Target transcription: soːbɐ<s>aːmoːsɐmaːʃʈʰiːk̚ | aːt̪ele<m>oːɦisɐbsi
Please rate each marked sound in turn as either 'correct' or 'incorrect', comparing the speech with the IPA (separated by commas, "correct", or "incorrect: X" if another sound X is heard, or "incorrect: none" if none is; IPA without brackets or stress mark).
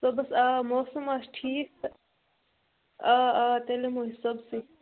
correct, correct